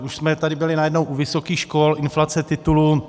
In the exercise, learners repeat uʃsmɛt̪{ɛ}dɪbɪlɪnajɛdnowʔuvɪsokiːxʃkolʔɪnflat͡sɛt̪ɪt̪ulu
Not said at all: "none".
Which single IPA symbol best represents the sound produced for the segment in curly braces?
a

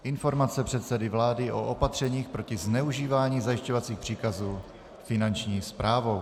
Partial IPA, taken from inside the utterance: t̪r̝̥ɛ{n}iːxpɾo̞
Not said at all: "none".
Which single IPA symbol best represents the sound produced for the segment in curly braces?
ɲ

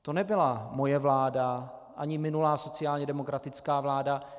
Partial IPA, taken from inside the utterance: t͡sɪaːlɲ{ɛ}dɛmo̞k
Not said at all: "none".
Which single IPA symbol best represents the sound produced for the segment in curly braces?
ɛ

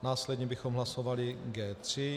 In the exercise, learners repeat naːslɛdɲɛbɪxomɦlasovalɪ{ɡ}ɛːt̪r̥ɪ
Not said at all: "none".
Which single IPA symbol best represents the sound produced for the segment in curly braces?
ɡ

